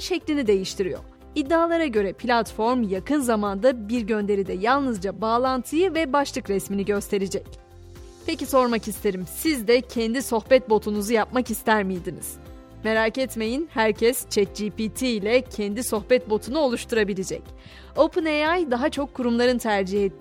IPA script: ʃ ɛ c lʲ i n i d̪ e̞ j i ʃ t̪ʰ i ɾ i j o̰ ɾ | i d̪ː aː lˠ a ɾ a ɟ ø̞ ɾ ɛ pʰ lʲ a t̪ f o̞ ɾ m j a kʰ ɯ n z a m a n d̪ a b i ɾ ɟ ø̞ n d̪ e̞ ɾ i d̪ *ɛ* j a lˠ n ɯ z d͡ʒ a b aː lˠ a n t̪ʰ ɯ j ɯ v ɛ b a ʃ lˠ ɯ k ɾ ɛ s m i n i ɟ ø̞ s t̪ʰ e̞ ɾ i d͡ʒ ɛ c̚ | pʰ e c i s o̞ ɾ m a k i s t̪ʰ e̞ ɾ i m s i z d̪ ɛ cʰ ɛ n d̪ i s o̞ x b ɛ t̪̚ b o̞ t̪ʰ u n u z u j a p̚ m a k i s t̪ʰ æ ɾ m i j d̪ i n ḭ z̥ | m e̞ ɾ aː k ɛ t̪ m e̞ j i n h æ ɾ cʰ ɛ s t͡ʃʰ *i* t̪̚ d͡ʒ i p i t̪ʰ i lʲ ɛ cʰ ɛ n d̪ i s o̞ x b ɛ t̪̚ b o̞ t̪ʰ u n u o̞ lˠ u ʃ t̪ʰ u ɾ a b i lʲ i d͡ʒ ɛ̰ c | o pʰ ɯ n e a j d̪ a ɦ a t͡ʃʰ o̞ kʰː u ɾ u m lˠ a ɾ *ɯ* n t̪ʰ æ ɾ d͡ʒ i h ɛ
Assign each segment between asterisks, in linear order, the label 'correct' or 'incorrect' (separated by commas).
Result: correct, incorrect, correct